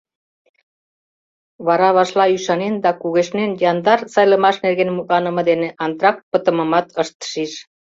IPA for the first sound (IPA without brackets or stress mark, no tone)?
β